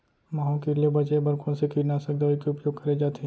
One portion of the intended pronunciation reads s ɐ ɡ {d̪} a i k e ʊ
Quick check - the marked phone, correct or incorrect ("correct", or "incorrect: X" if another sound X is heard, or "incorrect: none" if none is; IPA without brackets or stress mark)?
correct